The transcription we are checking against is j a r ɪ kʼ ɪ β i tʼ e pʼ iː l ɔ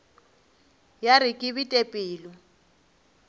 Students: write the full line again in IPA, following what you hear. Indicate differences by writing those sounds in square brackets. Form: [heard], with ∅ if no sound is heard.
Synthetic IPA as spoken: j a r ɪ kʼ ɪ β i tʼ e pʼ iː l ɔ